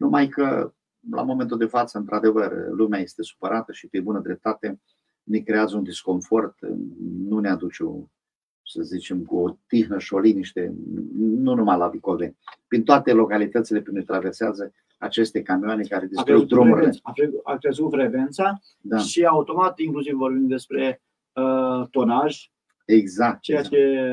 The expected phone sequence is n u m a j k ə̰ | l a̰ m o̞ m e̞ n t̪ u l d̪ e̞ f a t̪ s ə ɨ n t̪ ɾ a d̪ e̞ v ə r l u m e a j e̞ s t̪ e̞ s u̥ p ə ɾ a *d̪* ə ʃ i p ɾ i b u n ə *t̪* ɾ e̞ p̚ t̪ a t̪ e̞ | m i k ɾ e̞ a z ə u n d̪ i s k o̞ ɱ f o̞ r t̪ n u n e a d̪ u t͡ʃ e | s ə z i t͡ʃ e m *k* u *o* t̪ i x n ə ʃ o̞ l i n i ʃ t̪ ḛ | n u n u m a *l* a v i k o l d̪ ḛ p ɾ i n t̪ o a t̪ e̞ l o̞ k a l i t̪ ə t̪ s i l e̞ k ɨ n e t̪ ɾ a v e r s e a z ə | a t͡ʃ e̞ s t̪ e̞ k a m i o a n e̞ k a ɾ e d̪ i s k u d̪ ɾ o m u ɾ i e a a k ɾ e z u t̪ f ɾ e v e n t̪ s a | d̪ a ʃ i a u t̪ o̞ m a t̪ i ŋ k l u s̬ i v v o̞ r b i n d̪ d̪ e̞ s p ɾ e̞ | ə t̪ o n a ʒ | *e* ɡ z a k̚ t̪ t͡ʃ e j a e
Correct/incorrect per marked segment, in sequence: incorrect, incorrect, correct, correct, correct, correct

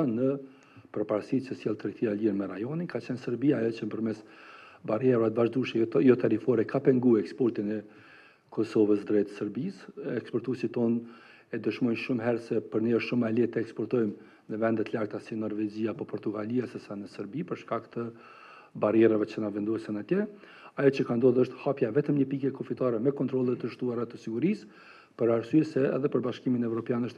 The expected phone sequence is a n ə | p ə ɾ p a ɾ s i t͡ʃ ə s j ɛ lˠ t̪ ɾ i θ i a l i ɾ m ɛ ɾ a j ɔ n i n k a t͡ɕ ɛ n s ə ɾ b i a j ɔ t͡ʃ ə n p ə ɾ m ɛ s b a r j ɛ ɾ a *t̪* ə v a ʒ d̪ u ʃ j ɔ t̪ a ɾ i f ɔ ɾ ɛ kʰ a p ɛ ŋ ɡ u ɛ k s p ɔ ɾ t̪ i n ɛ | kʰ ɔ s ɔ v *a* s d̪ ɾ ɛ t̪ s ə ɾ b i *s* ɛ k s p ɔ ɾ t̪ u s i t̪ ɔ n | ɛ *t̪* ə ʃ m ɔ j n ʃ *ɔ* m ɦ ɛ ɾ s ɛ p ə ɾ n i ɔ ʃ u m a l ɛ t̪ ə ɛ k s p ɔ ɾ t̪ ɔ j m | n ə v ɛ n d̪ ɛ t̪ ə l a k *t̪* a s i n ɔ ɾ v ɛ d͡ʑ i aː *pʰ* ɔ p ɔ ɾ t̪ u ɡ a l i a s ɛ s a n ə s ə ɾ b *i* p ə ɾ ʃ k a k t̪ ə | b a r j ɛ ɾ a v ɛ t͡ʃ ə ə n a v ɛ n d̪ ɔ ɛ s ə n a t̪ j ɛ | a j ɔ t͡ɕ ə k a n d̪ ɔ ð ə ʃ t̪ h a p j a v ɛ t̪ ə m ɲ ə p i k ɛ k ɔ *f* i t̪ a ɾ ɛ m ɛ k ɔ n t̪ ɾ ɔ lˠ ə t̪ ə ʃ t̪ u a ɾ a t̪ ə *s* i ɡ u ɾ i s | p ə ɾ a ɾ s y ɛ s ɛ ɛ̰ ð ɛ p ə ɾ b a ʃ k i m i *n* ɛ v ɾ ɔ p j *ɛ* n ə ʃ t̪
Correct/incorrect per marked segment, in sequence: correct, incorrect, correct, incorrect, incorrect, correct, incorrect, correct, correct, correct, correct, incorrect

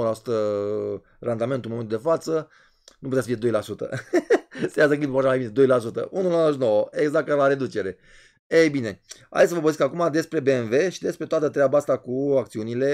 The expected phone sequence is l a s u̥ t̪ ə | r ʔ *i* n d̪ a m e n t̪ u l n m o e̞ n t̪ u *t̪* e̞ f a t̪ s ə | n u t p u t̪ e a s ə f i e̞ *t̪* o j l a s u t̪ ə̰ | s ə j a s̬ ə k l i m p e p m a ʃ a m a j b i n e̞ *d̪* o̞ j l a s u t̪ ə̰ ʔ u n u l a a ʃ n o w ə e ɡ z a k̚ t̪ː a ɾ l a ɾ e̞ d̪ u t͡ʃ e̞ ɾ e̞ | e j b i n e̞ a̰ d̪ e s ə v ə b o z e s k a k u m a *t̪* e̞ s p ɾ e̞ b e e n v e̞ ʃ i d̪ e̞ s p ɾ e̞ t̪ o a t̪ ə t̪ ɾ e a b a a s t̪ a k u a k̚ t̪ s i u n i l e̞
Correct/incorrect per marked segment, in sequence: incorrect, incorrect, incorrect, correct, incorrect

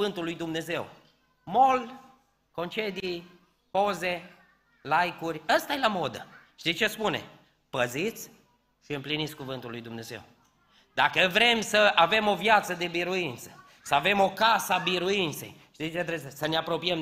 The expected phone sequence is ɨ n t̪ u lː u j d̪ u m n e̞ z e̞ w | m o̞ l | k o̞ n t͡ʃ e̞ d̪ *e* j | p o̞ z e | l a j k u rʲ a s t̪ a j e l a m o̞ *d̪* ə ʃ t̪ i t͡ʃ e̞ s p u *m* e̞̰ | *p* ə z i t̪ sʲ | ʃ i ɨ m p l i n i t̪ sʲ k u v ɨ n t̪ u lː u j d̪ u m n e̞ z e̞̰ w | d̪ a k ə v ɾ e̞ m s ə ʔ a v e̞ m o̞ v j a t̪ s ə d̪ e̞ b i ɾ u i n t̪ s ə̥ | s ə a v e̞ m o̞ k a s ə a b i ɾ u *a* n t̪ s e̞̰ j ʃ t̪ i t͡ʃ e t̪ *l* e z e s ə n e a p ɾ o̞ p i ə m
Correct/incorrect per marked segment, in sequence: incorrect, correct, incorrect, correct, incorrect, incorrect

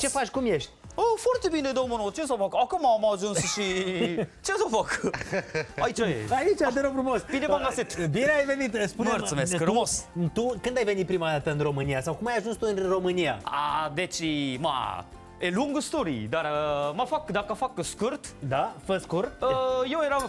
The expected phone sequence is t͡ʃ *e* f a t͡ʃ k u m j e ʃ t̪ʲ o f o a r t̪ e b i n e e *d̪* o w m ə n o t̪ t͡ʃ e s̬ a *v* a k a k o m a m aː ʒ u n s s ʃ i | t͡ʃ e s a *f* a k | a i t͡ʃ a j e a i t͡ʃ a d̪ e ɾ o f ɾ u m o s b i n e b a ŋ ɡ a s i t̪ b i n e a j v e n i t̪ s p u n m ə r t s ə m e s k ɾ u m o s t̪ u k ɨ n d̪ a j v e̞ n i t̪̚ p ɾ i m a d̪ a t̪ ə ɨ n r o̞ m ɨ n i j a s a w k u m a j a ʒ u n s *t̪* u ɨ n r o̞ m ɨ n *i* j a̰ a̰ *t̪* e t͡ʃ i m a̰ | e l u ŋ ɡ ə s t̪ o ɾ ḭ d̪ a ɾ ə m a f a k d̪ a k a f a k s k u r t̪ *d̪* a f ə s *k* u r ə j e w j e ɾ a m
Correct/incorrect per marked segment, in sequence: correct, correct, incorrect, correct, correct, correct, incorrect, correct, correct

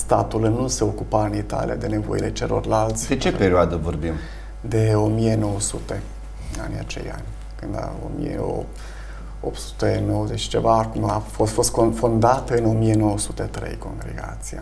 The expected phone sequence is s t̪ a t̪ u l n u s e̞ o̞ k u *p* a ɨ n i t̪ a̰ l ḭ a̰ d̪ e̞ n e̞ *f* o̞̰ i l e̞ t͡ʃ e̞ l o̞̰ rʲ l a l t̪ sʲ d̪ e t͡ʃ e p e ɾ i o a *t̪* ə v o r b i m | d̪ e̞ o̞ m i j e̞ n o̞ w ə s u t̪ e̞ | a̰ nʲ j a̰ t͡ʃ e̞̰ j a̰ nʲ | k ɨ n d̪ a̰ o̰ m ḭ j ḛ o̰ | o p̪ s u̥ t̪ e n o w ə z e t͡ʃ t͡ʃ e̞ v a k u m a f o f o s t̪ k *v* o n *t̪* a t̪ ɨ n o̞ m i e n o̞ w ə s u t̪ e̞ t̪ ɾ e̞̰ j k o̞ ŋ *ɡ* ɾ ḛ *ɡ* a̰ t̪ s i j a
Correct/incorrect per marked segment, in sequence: correct, incorrect, incorrect, incorrect, incorrect, correct, correct

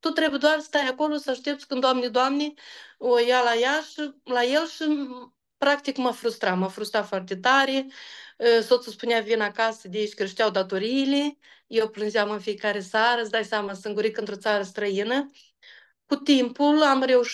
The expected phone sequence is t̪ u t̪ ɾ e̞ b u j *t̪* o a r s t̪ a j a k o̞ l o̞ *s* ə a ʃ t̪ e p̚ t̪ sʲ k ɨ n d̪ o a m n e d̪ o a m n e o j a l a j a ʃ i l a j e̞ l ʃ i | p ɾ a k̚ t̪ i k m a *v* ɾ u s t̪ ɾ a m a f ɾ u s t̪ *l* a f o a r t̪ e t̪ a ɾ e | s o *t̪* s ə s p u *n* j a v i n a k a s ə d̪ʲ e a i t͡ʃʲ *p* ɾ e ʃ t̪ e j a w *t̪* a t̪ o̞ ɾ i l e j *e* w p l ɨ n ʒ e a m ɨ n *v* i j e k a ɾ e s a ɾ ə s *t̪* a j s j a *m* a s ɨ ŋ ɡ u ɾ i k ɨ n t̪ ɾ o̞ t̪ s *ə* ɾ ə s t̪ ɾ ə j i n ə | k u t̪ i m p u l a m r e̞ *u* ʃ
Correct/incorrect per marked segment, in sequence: incorrect, correct, incorrect, incorrect, correct, correct, incorrect, incorrect, correct, incorrect, incorrect, correct, incorrect, correct

